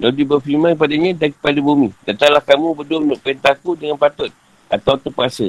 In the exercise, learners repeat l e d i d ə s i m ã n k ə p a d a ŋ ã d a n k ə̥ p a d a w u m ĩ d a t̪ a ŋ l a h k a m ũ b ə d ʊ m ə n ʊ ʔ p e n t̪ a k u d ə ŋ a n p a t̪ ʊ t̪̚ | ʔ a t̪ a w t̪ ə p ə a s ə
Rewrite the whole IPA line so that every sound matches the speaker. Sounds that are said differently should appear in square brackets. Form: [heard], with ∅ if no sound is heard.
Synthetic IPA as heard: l [a] d i [b] ə [f] i m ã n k ə p a d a [ɲ] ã d a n k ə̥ p a d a [b] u m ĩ d a t̪ a ŋ l a h k a m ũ b ə d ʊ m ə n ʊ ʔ p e n t̪ a k u d ə ŋ a n p a t̪ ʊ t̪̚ | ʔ a t̪ a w t̪ ə p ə a s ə